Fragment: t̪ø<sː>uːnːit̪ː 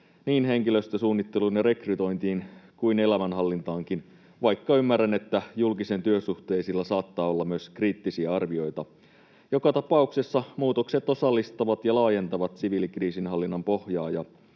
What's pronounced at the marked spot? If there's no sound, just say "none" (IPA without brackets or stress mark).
s